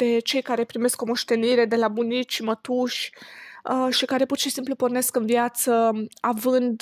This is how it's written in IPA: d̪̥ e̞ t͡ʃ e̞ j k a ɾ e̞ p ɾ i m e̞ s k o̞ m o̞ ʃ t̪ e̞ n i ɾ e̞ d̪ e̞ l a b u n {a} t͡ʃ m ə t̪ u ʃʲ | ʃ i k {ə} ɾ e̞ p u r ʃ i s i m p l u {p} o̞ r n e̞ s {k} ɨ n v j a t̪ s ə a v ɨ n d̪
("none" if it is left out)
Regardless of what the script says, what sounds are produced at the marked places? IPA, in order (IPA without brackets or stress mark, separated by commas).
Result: i, a, p, k